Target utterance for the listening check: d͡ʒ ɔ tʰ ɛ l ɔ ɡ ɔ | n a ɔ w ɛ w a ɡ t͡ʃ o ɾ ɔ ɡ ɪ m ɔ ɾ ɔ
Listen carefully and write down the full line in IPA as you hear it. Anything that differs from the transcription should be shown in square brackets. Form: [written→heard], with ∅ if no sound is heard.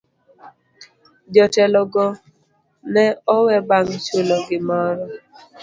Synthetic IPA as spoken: d͡ʒ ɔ [tʰ→t] ɛ l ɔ ɡ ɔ | n [a→ɛ] ɔ w ɛ [w→b] a [ɡ→ŋ] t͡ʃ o [ɾ→l] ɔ ɡ ɪ m ɔ ɾ ɔ